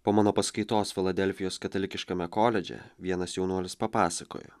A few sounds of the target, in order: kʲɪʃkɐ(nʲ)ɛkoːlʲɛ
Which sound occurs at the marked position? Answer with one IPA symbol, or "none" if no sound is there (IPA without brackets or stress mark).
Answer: mʲ